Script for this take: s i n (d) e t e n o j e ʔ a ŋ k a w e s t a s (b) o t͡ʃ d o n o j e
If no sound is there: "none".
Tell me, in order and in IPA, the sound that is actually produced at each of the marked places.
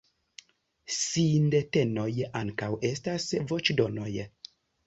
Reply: d, v

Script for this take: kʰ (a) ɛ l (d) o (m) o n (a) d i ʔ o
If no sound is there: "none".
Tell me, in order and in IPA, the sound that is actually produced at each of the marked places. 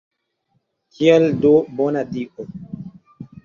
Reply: i, d, b, a

